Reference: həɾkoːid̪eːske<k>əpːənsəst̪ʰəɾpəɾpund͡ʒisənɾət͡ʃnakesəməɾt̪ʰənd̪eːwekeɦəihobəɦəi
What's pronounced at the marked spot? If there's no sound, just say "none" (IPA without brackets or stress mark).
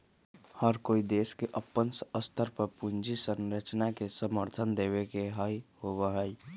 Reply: ʔ